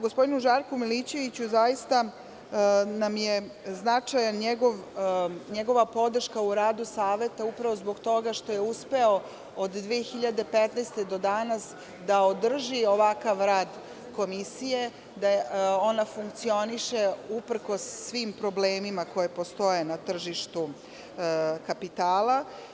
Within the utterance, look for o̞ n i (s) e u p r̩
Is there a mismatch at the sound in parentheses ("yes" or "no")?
yes